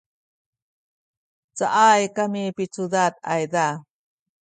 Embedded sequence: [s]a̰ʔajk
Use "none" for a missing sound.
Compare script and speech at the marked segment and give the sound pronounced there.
t͡s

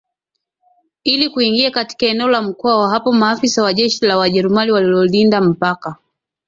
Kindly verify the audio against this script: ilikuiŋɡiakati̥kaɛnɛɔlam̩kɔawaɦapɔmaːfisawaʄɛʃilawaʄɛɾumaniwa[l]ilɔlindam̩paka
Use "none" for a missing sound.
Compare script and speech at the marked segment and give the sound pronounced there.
l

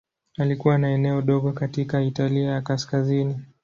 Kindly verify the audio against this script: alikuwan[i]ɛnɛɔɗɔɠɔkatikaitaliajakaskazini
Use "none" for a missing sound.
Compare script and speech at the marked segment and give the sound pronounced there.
a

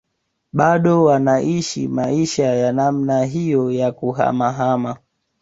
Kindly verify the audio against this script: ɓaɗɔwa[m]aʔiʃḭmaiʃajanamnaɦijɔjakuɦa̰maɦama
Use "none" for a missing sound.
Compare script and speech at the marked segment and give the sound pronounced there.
n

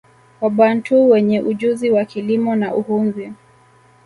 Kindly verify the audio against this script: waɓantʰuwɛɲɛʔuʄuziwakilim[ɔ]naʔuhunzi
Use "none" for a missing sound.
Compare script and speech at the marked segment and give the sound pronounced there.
ɔ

